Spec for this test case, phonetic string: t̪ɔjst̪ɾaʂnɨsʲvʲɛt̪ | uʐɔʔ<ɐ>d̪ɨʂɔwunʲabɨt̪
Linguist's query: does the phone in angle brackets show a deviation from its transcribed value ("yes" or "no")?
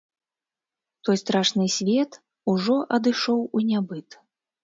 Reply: no